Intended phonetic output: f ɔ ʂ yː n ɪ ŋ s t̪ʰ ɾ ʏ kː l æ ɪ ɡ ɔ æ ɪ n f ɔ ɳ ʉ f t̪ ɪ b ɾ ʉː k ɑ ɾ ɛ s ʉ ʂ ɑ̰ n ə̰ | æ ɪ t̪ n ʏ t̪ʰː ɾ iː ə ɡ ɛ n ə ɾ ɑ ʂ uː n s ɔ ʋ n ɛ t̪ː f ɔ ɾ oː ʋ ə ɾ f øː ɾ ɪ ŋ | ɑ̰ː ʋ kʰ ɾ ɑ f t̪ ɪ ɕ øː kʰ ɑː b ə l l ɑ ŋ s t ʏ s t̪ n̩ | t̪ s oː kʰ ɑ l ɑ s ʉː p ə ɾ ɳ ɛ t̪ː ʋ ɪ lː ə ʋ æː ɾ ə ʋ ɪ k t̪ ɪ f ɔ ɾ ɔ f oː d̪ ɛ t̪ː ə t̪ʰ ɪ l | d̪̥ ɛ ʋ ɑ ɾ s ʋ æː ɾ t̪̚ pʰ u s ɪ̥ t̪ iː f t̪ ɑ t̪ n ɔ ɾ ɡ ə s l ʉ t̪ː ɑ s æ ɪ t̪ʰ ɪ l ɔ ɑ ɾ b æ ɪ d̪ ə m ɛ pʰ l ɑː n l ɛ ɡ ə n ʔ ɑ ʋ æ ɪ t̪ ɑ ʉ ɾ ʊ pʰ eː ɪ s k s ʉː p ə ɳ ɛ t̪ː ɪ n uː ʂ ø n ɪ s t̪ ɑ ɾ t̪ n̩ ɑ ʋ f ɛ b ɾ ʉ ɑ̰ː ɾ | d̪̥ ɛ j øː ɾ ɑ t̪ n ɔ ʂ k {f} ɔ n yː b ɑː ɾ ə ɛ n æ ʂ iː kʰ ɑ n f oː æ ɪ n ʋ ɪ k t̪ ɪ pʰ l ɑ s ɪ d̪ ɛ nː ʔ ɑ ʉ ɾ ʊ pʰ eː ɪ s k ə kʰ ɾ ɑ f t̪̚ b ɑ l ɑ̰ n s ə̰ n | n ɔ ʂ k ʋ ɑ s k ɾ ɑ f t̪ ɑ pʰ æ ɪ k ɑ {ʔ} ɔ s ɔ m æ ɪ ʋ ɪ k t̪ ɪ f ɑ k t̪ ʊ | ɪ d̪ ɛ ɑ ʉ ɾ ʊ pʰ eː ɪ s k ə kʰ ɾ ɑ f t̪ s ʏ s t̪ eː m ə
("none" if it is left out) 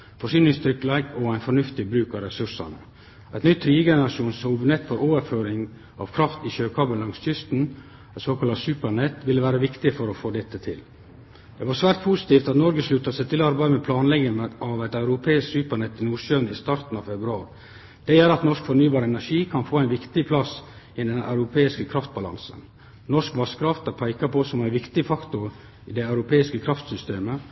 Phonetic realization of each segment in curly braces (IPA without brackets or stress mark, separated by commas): f, p